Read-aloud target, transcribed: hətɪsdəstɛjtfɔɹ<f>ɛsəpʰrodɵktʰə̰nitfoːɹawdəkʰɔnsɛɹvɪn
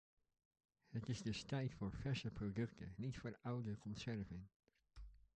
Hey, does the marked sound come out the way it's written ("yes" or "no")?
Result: yes